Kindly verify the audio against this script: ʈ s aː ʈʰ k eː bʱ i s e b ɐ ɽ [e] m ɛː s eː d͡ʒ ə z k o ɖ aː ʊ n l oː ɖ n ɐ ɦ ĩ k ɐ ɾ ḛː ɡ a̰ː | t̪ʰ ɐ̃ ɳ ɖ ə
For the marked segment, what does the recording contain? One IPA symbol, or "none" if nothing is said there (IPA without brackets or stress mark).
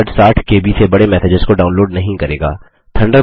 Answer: e